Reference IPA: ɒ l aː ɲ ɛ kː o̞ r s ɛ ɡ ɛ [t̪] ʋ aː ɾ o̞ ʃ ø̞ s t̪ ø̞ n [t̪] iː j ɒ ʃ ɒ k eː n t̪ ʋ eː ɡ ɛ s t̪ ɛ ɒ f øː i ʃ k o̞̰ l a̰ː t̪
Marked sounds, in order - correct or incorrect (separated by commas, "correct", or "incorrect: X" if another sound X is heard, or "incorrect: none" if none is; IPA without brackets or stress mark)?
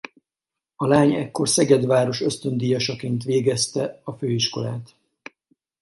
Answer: incorrect: d̪, incorrect: d̪